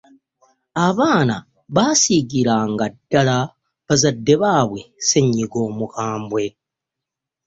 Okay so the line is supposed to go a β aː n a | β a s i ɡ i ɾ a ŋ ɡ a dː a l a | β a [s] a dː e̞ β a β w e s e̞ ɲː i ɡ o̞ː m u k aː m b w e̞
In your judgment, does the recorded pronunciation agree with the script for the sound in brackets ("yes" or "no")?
no